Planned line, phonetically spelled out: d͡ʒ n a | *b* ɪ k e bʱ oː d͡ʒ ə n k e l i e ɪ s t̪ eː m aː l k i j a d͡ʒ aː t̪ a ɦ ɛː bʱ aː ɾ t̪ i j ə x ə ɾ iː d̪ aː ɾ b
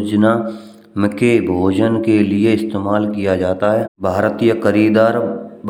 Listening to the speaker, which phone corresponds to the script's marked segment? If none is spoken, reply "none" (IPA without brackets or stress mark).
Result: m